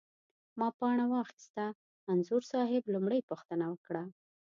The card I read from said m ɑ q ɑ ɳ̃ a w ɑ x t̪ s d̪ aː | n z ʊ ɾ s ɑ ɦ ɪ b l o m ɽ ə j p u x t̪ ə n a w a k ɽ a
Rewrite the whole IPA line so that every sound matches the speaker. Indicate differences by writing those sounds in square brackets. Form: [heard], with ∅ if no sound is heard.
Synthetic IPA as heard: m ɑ [p] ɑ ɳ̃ a w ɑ x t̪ s [t̪] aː | n z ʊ ɾ s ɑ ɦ ɪ b l [u] m ɽ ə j p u x t̪ ə n a w [ə] k ɽ a